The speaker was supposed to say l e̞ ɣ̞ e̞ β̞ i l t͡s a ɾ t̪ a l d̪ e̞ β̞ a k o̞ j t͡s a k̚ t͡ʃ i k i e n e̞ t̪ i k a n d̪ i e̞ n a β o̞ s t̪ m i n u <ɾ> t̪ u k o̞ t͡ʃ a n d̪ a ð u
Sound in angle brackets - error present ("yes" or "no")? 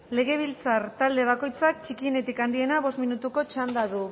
yes